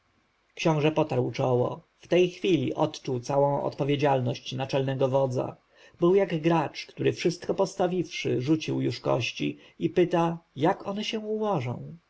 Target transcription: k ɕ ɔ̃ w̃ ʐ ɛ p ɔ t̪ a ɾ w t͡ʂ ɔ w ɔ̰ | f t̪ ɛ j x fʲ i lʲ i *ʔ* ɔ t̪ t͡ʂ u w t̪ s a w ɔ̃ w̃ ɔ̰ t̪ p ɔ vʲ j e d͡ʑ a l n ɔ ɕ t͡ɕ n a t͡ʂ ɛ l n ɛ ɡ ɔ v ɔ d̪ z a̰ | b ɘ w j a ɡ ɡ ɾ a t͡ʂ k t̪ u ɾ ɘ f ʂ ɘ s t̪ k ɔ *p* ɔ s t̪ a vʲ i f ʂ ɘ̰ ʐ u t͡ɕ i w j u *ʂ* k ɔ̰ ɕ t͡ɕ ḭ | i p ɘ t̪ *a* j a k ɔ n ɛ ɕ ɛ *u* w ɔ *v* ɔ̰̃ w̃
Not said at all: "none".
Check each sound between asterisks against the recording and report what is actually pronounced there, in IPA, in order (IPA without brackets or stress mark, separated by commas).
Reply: ʔ, p, ʂ, a, u, ʐ